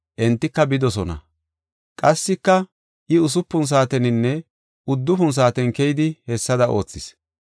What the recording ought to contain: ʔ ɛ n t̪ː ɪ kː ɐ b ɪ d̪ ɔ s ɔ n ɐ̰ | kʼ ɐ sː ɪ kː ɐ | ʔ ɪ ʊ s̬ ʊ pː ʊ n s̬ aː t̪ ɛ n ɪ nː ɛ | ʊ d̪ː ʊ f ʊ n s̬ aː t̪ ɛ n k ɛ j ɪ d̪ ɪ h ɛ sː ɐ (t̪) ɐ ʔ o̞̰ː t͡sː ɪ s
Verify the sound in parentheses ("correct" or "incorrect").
incorrect